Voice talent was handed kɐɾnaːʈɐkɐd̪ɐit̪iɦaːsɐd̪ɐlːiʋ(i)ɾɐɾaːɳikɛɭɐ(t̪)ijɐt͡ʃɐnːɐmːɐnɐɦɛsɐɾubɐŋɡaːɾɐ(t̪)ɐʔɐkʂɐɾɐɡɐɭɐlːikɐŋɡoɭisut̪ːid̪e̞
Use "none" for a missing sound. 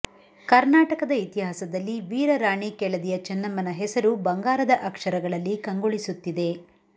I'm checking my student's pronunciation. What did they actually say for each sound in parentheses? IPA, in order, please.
iː, d̪, d̪

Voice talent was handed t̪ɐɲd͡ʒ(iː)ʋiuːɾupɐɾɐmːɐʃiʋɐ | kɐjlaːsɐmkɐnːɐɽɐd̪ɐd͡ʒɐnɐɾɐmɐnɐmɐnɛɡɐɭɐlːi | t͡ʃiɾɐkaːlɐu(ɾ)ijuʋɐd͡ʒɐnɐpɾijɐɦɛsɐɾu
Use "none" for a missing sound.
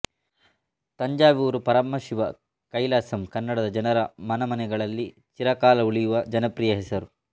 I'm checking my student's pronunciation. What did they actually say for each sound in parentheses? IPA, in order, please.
aː, ɭ

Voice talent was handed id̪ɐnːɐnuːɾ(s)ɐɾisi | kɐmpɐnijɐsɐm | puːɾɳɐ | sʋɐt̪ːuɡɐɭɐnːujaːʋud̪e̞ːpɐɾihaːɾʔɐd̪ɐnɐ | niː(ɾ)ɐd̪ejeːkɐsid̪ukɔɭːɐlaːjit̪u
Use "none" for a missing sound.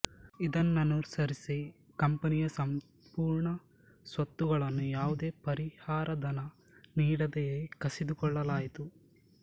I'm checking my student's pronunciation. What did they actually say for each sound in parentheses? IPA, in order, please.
s, ɽ

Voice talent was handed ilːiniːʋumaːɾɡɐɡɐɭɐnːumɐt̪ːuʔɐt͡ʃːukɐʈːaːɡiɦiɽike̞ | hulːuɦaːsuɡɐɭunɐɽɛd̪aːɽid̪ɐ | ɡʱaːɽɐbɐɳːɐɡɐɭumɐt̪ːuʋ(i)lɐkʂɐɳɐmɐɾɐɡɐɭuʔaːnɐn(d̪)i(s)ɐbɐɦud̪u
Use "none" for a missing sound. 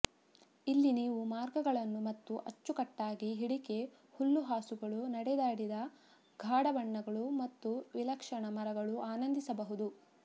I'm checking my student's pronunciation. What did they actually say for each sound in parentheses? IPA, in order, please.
i, d̪, s

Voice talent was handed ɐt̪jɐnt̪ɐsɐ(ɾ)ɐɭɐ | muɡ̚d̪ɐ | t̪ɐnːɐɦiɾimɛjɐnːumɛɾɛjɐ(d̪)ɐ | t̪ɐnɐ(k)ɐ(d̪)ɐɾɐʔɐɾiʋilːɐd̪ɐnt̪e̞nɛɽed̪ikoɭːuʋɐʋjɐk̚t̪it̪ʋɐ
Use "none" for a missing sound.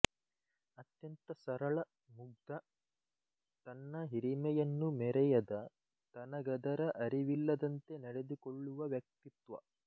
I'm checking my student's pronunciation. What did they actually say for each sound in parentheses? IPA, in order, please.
ɾ, d̪, ɡ, d̪

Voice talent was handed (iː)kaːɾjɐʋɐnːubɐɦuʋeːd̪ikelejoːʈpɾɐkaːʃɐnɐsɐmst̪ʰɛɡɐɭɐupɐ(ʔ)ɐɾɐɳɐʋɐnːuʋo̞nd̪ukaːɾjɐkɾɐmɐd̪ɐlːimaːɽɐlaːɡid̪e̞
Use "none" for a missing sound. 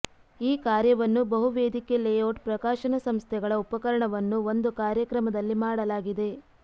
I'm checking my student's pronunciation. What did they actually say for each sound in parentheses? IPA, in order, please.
iː, k

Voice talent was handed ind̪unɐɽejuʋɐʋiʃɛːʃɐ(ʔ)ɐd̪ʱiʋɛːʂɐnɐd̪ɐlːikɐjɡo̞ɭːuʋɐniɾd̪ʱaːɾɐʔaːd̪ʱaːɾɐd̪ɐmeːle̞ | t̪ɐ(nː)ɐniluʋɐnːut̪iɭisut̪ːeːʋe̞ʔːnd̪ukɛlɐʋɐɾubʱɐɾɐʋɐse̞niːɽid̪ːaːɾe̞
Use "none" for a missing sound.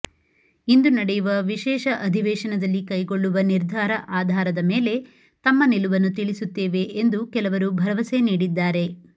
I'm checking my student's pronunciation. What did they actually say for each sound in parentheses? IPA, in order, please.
ʔ, mː

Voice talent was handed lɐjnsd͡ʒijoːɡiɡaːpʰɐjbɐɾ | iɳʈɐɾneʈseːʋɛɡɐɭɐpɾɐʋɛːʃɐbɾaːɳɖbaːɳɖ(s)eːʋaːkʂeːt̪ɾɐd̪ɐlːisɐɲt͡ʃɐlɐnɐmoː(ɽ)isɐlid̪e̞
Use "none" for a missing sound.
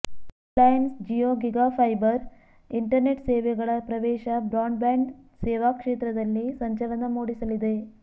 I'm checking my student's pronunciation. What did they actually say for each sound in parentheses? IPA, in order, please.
s, ɽ

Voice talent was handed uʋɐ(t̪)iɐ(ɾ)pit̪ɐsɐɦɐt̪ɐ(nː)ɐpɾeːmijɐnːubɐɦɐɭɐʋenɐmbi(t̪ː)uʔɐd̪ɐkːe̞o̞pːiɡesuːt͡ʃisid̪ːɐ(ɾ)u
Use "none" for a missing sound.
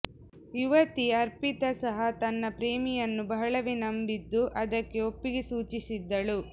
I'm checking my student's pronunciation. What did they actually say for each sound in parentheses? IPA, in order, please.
t̪, ɾ, nː, d̪ː, ɭ

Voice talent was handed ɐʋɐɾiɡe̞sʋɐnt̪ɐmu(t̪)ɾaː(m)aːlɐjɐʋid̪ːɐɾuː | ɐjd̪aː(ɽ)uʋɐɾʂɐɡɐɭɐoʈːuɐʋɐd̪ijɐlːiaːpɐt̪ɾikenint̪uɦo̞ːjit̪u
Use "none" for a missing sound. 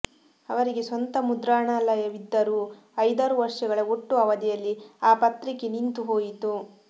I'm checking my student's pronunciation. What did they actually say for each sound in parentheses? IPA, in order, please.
d̪, ɳ, ɾ

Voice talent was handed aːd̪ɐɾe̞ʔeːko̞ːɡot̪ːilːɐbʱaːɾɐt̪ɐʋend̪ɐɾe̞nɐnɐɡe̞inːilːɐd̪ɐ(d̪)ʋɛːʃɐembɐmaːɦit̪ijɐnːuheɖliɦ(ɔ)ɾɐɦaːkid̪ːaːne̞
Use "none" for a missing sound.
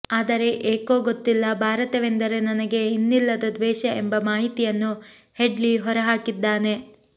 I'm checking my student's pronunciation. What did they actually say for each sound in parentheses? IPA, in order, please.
d̪, ɔ

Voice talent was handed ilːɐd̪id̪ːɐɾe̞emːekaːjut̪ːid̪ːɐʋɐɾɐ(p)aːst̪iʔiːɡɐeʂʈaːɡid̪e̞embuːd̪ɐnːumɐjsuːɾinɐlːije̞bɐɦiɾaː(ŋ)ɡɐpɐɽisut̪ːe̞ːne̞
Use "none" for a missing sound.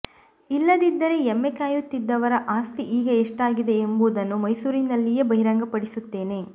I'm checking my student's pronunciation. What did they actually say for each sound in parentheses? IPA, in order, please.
ʔ, ŋ

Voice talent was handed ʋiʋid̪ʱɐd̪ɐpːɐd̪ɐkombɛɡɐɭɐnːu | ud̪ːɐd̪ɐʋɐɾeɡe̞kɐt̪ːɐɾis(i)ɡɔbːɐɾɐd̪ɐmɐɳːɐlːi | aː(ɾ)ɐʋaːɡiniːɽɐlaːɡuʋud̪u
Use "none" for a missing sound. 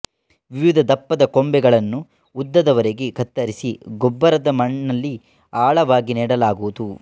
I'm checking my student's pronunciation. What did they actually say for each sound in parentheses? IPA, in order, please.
i, ɭ

